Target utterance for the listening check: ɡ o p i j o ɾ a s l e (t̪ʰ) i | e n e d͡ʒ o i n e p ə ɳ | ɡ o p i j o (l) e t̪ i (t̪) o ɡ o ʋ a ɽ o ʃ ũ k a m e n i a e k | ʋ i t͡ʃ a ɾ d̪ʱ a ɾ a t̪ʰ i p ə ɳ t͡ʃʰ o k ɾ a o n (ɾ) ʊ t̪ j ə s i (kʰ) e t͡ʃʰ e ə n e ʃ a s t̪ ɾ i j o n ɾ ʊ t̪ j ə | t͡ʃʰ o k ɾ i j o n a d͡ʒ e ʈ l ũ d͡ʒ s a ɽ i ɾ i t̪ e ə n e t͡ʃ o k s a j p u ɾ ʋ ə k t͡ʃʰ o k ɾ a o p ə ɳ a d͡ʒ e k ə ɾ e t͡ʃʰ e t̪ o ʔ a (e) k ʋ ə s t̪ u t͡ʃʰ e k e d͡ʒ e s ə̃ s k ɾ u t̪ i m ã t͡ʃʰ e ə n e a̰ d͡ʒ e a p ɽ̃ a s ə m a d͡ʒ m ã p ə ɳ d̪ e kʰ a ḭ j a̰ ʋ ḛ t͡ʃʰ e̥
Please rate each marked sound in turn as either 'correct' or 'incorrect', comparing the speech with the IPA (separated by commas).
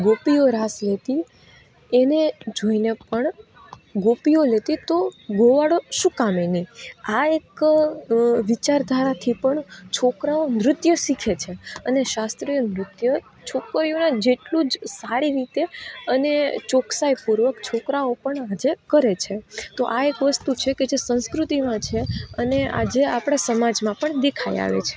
incorrect, correct, correct, correct, correct, correct